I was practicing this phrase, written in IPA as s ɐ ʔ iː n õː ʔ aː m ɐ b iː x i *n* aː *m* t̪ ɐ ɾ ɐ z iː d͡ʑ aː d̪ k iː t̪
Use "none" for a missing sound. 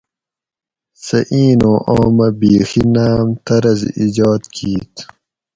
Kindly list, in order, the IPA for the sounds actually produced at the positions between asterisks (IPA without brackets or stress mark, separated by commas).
n, m